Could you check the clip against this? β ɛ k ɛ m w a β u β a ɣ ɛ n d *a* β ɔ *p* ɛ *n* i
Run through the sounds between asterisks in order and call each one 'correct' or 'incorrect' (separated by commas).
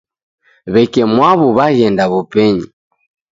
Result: correct, correct, incorrect